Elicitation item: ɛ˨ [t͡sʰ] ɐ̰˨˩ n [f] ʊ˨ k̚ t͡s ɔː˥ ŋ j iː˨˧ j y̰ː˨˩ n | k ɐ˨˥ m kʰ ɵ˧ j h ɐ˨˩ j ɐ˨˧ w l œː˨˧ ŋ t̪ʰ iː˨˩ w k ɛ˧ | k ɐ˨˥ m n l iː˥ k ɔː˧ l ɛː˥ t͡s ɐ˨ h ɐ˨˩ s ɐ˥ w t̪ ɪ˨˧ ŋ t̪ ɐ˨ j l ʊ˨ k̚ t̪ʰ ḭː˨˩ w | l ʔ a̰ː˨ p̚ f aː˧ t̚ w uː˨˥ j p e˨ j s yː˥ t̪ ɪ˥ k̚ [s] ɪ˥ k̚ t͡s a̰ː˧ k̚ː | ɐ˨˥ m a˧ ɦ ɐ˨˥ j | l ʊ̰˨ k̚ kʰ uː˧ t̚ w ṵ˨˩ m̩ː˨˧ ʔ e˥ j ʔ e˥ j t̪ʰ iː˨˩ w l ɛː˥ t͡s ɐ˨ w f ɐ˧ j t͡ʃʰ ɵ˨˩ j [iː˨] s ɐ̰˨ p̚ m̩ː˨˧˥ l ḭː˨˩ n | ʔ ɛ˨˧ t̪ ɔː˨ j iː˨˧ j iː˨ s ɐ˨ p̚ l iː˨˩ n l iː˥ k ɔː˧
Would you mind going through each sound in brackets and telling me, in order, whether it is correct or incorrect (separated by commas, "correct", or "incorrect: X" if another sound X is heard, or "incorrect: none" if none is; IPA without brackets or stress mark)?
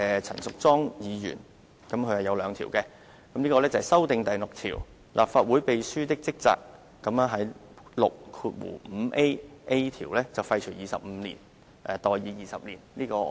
correct, incorrect: s, incorrect: t͡s, correct